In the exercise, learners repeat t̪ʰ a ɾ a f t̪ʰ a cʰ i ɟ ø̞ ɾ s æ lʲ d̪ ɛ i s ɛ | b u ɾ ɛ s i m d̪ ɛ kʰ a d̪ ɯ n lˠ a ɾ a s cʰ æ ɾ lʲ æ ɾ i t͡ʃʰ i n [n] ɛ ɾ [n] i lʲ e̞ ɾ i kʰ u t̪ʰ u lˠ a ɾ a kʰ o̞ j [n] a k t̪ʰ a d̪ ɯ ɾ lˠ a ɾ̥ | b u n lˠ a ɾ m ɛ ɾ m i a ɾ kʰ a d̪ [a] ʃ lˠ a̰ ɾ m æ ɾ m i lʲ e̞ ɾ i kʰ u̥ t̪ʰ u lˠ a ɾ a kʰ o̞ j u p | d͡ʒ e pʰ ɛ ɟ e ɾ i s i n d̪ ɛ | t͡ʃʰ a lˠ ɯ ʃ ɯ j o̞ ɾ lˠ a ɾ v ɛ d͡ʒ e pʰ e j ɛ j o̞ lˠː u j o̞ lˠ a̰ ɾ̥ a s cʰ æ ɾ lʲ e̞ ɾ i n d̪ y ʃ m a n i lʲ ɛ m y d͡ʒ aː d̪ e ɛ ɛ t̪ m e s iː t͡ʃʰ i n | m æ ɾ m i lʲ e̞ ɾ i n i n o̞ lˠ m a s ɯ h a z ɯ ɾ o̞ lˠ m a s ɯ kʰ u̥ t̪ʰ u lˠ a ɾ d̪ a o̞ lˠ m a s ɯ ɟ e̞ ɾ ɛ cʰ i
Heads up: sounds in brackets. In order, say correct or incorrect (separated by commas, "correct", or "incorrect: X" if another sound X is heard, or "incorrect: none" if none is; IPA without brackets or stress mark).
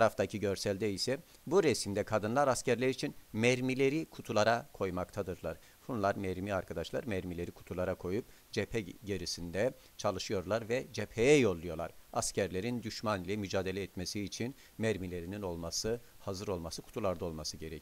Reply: incorrect: m, incorrect: m, incorrect: m, correct